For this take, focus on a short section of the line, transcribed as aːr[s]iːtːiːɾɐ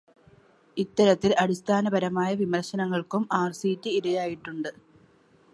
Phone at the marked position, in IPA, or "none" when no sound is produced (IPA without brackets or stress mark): s